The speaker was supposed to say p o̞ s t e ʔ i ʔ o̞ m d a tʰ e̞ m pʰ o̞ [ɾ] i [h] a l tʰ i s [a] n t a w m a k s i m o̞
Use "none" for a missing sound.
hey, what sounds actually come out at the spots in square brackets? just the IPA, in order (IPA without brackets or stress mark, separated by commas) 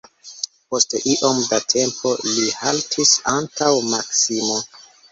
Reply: l, h, a